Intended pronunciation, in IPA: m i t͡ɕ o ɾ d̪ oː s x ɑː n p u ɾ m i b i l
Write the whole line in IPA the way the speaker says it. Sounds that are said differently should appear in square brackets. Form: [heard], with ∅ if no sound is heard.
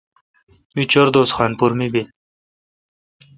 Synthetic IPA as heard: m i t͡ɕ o ɾ d̪ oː s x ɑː n p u ɾ m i b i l